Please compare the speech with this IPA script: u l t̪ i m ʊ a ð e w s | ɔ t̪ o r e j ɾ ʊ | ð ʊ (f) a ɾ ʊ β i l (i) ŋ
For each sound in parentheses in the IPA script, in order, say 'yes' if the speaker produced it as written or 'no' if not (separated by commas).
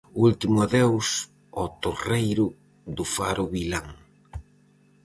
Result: yes, no